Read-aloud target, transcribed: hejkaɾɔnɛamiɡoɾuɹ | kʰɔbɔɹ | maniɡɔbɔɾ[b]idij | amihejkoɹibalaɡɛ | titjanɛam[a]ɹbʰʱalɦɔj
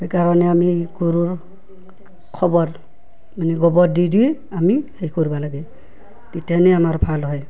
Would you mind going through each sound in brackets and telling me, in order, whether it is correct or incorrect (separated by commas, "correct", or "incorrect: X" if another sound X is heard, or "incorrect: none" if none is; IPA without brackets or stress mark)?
incorrect: d, correct